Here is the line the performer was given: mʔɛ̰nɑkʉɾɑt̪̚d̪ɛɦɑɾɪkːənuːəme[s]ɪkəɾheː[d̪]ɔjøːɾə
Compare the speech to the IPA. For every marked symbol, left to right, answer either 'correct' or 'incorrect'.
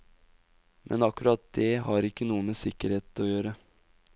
correct, incorrect: t̪

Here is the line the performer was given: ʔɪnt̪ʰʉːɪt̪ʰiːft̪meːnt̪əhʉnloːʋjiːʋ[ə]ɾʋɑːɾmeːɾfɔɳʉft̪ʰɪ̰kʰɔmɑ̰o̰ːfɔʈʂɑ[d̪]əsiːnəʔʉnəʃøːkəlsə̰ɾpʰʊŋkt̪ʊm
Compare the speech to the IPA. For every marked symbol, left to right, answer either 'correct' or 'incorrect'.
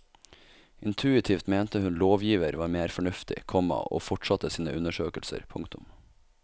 correct, incorrect: t̪

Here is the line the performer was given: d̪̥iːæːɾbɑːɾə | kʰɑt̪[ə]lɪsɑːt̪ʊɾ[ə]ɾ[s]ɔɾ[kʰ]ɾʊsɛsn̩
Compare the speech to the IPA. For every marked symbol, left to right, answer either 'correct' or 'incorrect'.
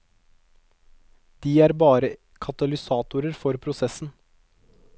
incorrect: ɑ, correct, incorrect: f, incorrect: pʰ

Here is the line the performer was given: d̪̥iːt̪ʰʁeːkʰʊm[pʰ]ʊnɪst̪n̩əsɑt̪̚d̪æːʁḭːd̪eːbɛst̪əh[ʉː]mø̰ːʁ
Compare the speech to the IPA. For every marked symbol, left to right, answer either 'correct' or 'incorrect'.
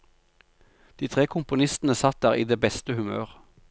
incorrect: p, incorrect: ʉ

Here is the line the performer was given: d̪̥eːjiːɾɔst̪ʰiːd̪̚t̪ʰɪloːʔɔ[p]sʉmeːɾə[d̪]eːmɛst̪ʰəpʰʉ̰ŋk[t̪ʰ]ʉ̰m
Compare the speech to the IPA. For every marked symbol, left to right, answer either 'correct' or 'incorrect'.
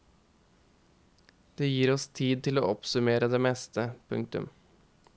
correct, correct, incorrect: t̪

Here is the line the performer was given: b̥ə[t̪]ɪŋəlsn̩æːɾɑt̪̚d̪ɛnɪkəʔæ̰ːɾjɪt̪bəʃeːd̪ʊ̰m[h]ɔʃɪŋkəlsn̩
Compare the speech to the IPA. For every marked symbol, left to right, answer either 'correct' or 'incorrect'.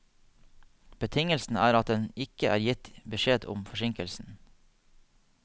incorrect: t̪ʰ, incorrect: f

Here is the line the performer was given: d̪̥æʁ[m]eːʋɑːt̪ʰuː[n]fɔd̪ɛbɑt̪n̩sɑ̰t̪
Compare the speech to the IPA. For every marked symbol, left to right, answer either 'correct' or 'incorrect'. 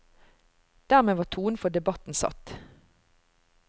correct, correct

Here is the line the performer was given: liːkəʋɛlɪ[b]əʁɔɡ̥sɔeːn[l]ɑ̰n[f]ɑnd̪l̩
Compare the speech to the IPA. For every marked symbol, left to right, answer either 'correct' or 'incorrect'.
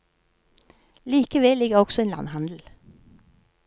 incorrect: ɡ, correct, incorrect: h

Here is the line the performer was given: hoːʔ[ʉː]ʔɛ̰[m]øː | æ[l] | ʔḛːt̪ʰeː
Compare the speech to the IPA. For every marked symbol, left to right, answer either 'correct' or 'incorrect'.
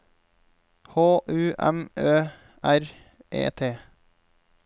correct, correct, incorrect: ɾ

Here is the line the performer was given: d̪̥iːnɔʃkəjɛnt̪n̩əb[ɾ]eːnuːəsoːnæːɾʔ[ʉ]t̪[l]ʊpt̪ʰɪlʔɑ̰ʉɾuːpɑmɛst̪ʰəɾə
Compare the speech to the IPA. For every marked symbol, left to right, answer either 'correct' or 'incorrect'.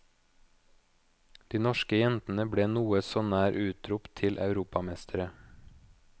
incorrect: ɽ, incorrect: ʉː, incorrect: ɾ

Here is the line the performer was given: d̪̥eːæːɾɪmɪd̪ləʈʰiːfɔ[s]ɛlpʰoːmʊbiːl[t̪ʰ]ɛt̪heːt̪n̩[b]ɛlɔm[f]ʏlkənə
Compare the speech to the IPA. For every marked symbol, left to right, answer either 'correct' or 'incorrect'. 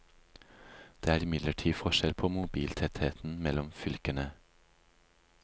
incorrect: ʃ, correct, incorrect: m, correct

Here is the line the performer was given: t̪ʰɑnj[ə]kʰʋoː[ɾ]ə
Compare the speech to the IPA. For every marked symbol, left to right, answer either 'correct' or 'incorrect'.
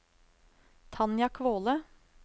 incorrect: ɑ, incorrect: l

